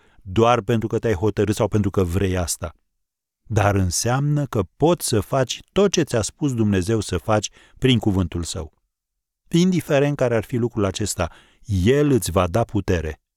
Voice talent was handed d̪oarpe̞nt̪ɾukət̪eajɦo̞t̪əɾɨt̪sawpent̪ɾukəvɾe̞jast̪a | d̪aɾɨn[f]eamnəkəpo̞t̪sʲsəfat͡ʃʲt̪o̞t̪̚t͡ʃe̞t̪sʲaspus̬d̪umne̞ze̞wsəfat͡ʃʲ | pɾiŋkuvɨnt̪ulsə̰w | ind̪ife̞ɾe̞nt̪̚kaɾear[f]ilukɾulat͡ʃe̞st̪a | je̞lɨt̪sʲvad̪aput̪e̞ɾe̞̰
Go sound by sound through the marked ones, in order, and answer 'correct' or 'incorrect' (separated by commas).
incorrect, correct